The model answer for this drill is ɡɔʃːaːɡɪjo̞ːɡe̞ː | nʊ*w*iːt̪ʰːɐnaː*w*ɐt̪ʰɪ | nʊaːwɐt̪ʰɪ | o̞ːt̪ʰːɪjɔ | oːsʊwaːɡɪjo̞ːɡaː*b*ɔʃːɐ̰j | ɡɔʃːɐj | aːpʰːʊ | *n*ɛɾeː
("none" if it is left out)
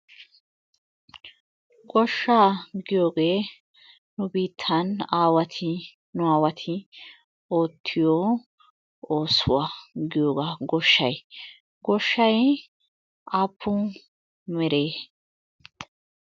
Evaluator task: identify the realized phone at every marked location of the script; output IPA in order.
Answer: b, w, ɡ, m

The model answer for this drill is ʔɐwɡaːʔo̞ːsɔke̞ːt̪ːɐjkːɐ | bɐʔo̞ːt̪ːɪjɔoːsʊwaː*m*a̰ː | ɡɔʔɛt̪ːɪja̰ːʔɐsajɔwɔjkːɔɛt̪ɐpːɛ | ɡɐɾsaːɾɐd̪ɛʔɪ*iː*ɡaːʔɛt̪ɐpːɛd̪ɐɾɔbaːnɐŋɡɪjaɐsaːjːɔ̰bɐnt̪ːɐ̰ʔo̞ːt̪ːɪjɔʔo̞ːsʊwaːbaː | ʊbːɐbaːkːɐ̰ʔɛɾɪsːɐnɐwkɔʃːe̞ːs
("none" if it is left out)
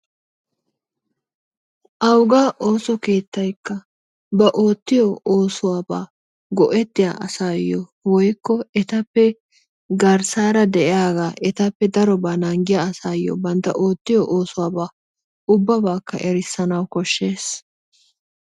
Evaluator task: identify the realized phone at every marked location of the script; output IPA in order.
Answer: b, aː

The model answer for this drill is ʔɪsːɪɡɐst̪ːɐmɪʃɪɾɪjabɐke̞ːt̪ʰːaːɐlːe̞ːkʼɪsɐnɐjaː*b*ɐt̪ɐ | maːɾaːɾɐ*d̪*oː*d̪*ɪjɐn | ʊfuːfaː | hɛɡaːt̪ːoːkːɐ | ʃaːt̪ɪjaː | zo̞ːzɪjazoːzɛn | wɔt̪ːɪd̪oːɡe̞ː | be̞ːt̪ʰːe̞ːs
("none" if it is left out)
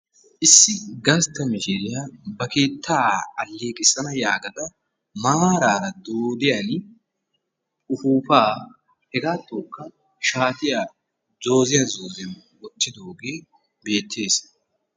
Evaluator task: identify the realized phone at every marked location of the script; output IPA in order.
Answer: ɡ, d̪, d̪

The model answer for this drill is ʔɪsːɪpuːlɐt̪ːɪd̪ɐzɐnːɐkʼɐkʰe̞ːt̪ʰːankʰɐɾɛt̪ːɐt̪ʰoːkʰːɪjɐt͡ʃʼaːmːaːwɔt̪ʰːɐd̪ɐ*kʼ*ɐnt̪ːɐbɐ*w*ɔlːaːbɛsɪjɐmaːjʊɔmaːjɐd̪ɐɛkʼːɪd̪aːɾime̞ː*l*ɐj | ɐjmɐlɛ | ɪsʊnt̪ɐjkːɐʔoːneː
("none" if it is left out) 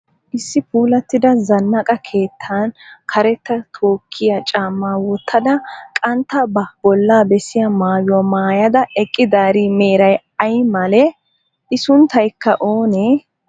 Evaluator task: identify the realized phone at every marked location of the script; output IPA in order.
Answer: kʼ, b, ɾ

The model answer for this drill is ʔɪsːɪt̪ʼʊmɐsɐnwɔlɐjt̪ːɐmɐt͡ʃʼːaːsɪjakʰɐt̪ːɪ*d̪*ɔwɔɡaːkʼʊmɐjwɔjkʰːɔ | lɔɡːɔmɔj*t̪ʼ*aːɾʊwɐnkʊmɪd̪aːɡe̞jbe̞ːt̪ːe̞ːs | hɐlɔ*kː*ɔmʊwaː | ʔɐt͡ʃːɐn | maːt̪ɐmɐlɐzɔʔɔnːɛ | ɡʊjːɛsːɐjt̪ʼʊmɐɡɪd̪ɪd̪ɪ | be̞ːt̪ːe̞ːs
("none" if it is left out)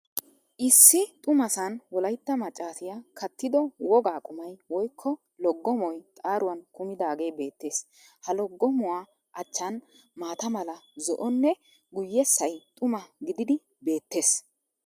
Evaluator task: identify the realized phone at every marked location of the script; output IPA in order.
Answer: d̪, t̪ʼ, ɡː

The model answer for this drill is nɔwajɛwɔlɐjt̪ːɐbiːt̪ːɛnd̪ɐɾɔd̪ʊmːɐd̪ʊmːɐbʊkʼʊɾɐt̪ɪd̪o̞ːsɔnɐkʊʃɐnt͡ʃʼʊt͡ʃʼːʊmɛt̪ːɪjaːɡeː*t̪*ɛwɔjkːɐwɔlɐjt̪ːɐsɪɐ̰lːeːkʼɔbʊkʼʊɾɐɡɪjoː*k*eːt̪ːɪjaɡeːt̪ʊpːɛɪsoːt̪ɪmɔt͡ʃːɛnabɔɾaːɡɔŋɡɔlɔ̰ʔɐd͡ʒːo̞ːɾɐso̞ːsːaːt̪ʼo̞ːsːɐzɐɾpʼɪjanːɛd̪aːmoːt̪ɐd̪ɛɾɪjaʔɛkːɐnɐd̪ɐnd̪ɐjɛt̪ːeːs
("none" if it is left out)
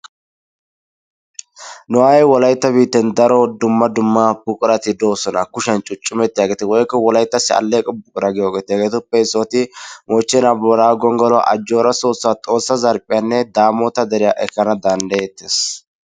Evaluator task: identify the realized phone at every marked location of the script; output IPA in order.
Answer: t̪, ɡ

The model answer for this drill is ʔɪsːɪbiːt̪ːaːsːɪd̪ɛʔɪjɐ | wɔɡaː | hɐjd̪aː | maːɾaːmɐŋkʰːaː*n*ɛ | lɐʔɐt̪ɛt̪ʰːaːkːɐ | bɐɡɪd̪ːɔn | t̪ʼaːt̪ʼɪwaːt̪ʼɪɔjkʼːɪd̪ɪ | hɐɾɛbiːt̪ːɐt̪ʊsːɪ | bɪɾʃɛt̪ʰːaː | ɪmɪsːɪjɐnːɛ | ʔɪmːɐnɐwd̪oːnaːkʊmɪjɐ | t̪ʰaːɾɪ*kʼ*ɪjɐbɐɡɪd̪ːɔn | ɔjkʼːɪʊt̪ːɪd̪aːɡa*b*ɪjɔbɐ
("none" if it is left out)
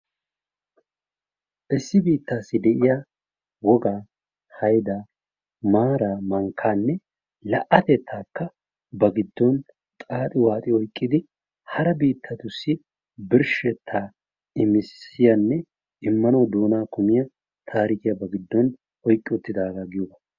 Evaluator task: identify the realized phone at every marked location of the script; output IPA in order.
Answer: nː, k, ɡ

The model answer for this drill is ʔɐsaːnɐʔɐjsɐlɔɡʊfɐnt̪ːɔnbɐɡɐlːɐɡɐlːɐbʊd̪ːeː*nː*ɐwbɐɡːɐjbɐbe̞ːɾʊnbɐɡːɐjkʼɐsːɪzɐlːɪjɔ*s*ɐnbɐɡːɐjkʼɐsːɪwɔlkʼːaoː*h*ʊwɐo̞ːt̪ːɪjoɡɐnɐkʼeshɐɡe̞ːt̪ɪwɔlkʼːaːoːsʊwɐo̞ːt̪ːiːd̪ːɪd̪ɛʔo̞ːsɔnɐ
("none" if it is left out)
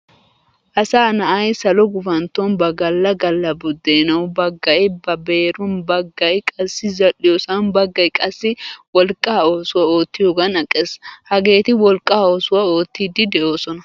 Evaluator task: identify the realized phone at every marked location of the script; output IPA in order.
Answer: n, s, s

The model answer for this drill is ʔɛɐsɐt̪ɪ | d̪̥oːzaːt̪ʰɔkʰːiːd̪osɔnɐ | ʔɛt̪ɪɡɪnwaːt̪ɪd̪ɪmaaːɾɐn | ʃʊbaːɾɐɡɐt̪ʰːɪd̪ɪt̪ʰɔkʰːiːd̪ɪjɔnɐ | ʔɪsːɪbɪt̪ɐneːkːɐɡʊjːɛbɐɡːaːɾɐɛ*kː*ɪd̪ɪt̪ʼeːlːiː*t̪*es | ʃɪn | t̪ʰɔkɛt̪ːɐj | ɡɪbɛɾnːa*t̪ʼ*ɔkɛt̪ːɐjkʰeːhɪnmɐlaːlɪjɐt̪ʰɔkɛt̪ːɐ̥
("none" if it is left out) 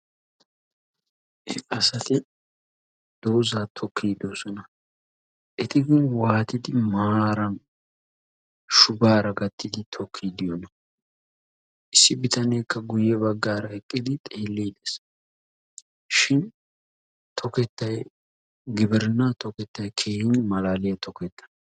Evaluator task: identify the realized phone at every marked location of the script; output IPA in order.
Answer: kʼː, d̪, t̪

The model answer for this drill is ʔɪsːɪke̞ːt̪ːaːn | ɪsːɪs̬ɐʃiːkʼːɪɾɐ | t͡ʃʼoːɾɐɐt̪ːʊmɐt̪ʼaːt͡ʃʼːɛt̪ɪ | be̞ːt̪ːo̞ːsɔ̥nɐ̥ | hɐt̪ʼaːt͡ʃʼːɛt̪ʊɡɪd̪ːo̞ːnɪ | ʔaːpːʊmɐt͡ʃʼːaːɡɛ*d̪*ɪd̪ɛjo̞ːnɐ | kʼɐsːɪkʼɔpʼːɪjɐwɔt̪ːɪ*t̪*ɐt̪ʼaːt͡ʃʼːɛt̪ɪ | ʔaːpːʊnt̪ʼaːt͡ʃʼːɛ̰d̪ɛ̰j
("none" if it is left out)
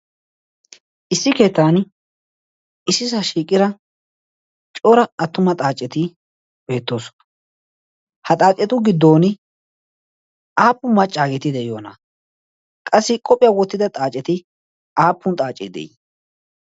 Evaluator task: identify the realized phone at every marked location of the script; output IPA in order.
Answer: t̪, d̪

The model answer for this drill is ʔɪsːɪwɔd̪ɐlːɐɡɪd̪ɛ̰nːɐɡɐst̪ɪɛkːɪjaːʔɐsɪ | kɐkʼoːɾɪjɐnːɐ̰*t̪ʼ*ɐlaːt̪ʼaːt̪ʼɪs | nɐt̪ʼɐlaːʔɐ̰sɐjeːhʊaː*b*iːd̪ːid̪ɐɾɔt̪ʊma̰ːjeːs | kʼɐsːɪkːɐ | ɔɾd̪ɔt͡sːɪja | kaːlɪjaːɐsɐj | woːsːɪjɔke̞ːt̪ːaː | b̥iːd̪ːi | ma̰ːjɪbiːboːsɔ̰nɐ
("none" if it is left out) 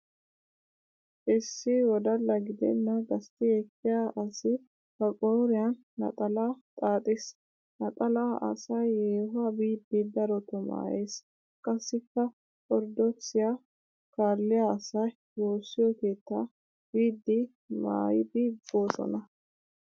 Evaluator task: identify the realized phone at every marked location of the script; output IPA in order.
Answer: t̪ʼ, b

